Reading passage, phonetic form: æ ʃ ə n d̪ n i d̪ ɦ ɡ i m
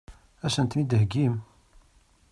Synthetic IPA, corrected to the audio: æ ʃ ə n t̪ n i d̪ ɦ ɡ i m